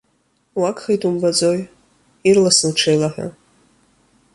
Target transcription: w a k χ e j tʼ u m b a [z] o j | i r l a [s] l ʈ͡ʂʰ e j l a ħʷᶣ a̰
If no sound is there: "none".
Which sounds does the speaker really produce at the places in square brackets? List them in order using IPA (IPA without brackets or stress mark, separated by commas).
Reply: d͡z, s